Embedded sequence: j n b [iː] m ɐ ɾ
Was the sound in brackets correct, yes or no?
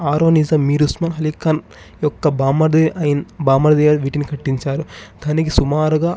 no